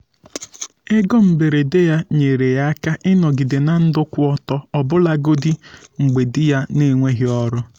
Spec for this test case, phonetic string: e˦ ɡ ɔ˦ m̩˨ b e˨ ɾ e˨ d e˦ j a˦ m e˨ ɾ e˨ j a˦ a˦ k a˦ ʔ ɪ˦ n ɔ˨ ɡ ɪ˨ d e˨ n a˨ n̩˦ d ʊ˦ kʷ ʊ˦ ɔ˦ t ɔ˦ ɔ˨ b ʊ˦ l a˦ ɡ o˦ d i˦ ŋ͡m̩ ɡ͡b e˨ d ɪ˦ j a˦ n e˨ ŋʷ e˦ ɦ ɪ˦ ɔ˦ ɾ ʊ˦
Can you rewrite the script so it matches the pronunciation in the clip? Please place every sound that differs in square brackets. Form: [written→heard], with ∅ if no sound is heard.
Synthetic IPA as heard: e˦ ɡ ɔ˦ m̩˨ b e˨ ɾ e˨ d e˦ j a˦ [m→ɲ] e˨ ɾ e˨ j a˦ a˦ k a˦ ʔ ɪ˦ n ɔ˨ ɡ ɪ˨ d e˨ n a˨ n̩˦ d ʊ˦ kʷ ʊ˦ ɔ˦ t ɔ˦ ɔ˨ b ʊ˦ l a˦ ɡ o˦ d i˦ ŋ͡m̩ ɡ͡b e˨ d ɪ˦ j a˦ n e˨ ŋʷ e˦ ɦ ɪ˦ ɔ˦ ɾ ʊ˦